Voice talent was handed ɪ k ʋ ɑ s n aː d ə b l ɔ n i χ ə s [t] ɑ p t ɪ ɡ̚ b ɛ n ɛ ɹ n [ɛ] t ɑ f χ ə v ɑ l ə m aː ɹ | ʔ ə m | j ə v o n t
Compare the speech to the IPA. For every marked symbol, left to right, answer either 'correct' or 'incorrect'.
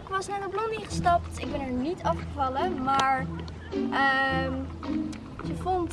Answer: correct, incorrect: i

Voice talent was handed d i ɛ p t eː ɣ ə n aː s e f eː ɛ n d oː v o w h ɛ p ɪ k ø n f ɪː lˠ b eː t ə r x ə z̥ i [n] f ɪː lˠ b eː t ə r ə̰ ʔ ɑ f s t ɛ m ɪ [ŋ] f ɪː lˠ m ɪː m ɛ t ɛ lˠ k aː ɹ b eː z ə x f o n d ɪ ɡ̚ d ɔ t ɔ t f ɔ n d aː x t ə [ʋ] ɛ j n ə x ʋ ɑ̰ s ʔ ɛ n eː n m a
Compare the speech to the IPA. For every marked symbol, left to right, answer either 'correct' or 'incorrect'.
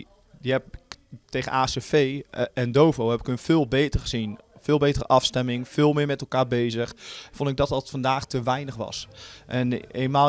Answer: correct, correct, correct

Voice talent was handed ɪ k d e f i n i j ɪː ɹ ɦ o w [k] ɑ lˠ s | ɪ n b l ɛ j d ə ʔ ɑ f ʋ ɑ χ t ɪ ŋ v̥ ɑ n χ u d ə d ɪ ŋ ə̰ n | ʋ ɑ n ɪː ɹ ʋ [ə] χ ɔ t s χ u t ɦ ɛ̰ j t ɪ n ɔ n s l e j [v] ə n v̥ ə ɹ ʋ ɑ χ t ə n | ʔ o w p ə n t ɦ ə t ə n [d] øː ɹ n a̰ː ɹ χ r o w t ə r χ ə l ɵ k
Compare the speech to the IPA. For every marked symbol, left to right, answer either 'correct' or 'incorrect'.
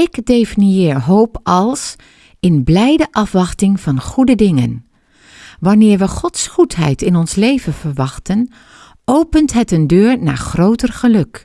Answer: incorrect: p, correct, correct, correct

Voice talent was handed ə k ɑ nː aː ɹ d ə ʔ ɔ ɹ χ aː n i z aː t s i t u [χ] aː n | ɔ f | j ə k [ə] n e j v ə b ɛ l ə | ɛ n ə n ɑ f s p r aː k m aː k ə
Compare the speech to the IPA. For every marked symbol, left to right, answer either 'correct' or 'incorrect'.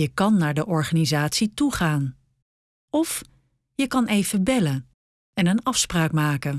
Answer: correct, incorrect: ɑ

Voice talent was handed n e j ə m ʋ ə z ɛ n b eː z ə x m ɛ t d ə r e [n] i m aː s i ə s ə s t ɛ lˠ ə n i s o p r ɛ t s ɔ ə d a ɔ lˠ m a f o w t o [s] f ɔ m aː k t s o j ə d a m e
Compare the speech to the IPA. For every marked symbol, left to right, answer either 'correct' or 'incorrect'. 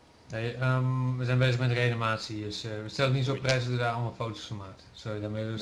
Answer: correct, correct

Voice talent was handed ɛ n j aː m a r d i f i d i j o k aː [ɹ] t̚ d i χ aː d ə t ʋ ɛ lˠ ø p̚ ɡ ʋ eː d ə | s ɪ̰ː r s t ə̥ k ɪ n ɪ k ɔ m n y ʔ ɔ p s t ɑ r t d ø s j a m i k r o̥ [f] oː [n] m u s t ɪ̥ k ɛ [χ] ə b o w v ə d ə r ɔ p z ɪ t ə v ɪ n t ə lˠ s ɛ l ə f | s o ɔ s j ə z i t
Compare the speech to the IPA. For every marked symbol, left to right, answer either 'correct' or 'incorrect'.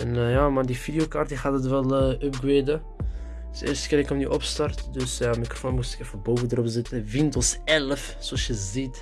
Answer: incorrect: r, correct, correct, incorrect: f

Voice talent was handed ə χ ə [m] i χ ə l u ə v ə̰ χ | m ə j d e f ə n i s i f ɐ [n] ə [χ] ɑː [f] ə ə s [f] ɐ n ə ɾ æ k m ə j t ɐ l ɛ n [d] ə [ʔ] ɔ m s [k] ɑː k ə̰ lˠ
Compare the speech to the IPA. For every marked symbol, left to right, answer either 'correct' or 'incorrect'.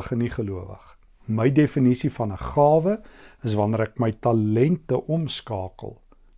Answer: incorrect: n, correct, correct, incorrect: v, incorrect: v, incorrect: t, correct, correct

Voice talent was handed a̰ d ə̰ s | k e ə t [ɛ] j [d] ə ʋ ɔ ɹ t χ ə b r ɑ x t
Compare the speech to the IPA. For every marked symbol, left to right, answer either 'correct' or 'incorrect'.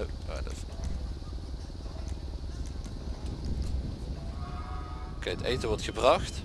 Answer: incorrect: e, incorrect: t

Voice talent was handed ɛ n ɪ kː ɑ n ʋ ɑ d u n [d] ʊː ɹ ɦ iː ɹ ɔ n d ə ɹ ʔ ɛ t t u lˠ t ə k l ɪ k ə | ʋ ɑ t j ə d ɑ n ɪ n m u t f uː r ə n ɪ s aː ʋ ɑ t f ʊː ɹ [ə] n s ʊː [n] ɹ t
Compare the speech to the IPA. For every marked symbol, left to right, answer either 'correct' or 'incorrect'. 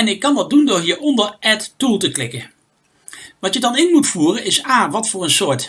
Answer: correct, correct, incorrect: none

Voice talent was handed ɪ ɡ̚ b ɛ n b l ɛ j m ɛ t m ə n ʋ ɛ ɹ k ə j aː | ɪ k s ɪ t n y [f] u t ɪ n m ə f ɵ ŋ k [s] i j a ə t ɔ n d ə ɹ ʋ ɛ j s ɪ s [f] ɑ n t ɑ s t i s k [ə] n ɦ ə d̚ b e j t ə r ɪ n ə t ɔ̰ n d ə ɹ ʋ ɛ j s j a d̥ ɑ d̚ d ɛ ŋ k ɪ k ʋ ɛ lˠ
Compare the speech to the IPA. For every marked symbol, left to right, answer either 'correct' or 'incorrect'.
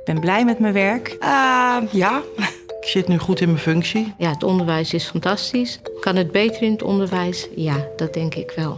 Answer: incorrect: χ, correct, correct, incorrect: ɑ

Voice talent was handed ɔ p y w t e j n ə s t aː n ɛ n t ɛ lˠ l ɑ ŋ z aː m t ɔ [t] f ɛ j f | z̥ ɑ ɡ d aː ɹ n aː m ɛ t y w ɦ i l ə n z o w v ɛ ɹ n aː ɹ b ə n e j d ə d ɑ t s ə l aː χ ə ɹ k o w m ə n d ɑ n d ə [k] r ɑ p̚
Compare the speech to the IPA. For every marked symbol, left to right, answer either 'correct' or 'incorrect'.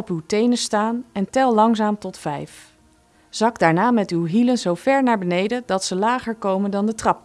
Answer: correct, incorrect: t

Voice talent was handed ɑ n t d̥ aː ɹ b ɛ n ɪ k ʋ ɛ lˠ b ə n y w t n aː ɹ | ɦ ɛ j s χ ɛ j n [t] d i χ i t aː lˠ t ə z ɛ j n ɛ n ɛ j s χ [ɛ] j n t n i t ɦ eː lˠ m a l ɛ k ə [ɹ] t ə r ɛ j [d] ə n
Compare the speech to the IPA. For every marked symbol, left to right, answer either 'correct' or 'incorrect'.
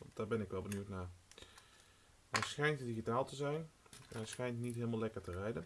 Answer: correct, correct, correct, correct

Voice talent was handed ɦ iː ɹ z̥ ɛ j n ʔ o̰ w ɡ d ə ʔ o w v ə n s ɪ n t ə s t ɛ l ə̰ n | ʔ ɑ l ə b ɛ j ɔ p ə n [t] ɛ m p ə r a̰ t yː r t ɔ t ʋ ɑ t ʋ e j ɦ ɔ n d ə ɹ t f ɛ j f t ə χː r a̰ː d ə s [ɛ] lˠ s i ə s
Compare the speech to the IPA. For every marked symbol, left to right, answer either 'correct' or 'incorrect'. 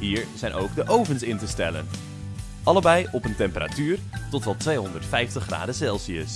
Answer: correct, correct

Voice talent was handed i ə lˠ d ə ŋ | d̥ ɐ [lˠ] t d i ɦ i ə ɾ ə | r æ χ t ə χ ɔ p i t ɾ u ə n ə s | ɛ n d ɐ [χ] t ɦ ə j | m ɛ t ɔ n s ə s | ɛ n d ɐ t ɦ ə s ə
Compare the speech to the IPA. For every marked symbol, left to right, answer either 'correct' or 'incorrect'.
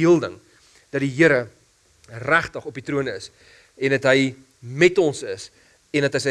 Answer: incorrect: none, incorrect: none

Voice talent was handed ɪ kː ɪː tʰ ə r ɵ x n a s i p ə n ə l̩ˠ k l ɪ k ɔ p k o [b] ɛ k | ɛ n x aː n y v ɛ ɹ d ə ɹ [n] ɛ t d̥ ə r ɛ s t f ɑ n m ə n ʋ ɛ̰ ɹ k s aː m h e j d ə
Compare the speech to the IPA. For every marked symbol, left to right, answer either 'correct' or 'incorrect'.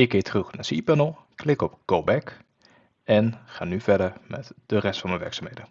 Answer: correct, incorrect: m

